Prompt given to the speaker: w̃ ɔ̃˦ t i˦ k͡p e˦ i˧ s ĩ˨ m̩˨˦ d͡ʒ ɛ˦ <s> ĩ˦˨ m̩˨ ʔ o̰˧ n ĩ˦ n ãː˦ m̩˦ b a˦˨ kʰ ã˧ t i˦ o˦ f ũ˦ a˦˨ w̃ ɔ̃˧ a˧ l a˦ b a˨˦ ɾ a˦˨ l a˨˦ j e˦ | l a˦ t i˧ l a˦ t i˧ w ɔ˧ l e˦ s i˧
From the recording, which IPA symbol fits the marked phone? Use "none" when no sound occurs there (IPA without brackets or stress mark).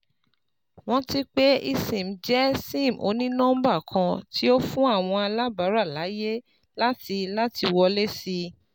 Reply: s